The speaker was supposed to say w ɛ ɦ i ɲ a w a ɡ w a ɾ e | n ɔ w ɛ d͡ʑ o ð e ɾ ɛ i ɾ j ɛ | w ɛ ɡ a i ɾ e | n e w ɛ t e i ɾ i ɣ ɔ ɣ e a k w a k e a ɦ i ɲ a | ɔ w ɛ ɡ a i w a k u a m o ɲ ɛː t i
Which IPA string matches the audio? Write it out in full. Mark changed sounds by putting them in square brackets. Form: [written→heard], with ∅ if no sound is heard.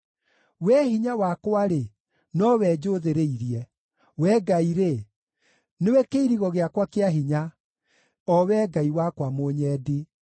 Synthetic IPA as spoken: w ɛ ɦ i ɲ a w a [ɡ→k] w a ɾ e | n ɔ w ɛ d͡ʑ o ð e ɾ [ɛ→e] i ɾ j ɛ | w ɛ ɡ a i ɾ e | n e w ɛ [t→k] e i ɾ i ɣ ɔ ɣ e a k w a k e a ɦ i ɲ a | ɔ w ɛ ɡ a i w a k [u→w] a m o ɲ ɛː [t→d] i